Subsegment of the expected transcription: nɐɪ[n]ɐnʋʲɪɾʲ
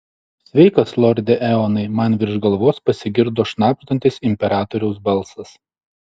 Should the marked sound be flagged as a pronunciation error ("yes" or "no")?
yes